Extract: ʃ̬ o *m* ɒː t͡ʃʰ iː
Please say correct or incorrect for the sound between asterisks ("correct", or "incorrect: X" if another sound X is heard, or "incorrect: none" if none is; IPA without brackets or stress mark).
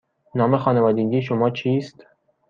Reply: correct